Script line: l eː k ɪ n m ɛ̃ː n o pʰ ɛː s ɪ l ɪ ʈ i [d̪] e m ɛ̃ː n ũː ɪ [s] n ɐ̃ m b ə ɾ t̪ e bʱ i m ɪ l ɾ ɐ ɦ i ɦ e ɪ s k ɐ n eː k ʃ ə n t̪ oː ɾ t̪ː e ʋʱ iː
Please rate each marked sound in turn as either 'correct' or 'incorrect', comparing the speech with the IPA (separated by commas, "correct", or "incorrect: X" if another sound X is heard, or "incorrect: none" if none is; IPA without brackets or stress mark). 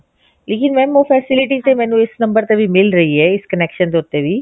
incorrect: t̪, correct